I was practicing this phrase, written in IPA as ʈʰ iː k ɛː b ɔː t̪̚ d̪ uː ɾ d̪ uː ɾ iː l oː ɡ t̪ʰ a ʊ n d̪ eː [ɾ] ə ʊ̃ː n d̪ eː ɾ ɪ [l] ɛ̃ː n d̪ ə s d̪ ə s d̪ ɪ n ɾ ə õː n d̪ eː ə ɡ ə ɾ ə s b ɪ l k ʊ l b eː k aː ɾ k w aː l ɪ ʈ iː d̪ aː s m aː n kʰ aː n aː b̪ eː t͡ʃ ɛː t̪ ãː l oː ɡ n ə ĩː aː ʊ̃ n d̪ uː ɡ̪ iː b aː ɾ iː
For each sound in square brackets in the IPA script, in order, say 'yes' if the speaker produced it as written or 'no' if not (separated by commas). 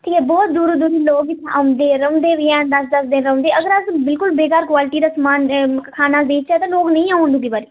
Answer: yes, no